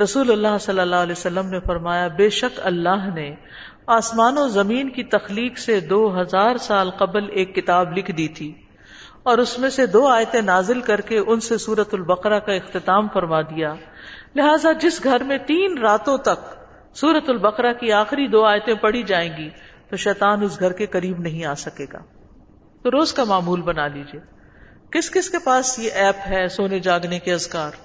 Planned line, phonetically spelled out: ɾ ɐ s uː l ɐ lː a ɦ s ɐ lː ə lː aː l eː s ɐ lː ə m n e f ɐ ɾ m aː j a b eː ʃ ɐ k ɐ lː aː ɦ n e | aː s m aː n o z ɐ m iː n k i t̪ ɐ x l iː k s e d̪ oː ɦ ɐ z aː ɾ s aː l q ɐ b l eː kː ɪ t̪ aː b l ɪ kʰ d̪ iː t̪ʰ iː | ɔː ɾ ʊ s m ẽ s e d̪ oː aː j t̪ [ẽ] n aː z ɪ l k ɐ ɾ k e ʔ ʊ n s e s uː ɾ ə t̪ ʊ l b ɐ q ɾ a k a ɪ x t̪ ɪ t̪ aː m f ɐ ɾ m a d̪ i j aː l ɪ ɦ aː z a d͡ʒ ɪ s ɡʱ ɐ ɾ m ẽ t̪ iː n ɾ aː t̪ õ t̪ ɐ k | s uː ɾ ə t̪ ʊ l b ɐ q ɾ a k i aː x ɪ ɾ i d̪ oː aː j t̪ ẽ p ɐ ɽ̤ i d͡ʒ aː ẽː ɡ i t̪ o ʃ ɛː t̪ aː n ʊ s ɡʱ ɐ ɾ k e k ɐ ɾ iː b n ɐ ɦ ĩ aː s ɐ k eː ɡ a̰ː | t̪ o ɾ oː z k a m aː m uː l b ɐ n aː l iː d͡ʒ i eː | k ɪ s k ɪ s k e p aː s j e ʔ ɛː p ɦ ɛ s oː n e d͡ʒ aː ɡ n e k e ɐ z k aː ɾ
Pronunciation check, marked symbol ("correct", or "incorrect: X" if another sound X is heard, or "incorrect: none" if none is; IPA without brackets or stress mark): correct